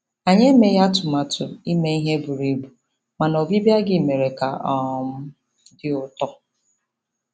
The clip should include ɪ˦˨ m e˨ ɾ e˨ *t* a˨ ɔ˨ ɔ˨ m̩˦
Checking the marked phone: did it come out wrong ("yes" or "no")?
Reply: yes